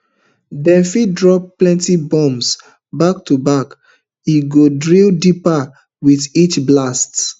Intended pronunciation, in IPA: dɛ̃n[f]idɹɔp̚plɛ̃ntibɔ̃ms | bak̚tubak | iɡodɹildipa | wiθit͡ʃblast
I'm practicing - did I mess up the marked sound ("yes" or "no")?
no